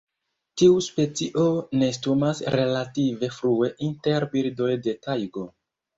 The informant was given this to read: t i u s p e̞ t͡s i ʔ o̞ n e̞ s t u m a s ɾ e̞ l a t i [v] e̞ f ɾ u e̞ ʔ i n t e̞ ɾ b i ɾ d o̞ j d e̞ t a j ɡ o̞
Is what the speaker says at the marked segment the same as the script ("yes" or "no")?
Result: yes